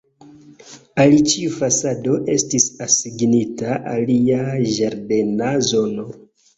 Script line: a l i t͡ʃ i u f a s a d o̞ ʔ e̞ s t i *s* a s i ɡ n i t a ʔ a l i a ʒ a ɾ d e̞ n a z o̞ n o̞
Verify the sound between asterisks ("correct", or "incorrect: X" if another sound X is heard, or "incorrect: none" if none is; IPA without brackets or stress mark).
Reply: correct